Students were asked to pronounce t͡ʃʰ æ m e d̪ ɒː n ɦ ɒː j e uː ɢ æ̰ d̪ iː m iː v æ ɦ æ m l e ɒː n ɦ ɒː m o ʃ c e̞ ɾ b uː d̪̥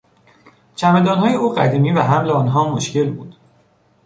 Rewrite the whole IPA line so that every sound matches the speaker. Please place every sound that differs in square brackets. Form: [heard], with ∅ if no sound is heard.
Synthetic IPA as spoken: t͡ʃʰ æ m e d̪ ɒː n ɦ ɒː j e uː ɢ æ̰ d̪ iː m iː v æ ɦ æ m l e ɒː n ɦ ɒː m o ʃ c e̞ [l] b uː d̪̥